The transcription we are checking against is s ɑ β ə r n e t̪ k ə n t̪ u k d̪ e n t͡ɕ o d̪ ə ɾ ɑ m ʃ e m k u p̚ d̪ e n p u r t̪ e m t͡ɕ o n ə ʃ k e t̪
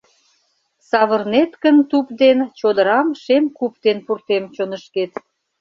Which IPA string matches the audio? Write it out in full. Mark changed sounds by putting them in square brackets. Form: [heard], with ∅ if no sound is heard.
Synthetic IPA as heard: s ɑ β ə r n e t̪ k ə n t̪ u [p] d̪ e n t͡ɕ o d̪ ə ɾ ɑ m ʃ e m k u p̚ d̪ e n p u r t̪ e m t͡ɕ o n ə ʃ k e t̪